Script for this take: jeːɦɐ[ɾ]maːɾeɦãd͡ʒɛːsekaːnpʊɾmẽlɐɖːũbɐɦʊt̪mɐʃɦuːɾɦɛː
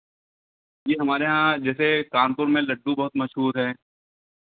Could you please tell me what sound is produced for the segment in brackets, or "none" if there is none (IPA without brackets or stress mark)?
none